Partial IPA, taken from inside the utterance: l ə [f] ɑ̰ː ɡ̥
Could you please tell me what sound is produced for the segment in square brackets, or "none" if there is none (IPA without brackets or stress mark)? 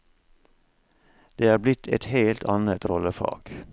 f